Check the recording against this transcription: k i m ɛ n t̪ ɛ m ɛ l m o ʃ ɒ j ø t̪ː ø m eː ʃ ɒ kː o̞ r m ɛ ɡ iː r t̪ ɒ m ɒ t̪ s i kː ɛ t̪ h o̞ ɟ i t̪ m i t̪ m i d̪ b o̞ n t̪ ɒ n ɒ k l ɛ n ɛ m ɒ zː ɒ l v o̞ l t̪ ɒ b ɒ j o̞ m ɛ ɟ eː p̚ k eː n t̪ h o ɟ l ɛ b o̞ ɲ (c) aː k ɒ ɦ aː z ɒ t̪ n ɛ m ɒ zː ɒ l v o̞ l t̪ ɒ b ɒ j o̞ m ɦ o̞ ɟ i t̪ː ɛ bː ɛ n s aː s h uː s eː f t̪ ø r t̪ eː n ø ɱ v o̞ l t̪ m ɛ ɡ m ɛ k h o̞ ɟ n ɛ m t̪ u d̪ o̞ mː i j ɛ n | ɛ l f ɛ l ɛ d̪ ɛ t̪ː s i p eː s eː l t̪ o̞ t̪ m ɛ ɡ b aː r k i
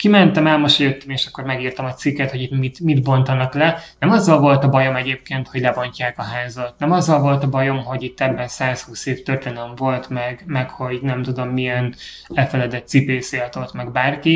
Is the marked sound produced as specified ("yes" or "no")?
yes